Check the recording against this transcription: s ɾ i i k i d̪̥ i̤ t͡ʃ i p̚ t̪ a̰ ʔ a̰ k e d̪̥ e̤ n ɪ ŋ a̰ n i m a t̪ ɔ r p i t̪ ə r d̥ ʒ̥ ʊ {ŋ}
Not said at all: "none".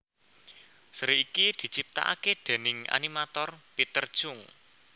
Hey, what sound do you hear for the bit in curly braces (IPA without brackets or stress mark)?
ŋ